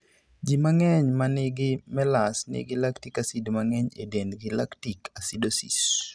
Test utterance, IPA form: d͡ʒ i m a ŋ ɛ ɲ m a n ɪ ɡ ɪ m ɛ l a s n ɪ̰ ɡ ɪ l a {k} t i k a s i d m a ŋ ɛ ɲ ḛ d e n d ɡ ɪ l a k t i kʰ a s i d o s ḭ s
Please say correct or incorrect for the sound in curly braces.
correct